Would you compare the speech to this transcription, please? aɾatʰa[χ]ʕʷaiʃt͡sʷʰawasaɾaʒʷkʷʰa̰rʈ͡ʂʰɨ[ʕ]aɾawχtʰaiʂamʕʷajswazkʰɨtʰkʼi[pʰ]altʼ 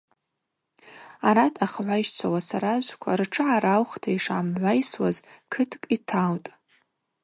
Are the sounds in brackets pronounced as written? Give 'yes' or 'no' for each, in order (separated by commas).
yes, yes, no